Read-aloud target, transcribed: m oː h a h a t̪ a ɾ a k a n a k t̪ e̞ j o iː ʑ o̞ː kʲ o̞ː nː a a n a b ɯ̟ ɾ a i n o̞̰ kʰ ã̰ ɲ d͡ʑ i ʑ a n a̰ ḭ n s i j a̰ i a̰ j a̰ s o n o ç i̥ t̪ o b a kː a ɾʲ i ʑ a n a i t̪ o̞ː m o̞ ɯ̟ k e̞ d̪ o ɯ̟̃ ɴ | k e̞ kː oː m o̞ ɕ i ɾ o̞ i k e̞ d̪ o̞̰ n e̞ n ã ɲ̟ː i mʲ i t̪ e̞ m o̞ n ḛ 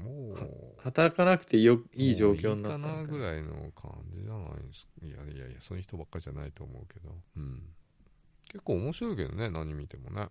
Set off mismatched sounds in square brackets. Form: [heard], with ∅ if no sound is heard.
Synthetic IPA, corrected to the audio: m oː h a h a t̪ a ɾ a k a n a k t̪ e̞ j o iː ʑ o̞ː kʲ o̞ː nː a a n a [ɡ] ɯ̟ ɾ a i n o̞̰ kʰ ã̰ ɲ d͡ʑ i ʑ a n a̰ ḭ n s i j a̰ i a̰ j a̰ s o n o ç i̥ t̪ o b a kː a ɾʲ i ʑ a n a i t̪ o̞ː m o̞ ɯ̟ k e̞ d̪ o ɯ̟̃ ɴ | k e̞ kː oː m o̞ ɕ i ɾ o̞ i k e̞ d̪ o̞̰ n e̞ n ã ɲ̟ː i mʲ i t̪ e̞ m o̞ n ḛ